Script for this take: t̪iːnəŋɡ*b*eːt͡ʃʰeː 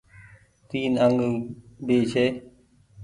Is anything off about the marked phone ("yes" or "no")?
no